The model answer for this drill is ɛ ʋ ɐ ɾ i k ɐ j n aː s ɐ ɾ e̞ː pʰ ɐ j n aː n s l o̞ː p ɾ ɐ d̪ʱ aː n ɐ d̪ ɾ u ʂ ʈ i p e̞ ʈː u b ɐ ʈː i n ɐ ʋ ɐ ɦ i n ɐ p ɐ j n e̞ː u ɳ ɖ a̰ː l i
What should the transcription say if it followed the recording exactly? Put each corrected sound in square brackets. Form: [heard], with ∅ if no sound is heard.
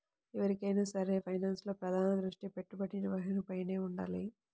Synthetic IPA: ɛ ʋ ɐ ɾ i k ɐ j n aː s ɐ ɾ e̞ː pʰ ɐ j n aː n s l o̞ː p ɾ ɐ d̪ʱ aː n ɐ d̪ ɾ u ʂ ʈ i p e̞ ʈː u b ɐ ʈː i n ɐ ʋ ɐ ɦ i n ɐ p ɐ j n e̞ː u ɳ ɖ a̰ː l i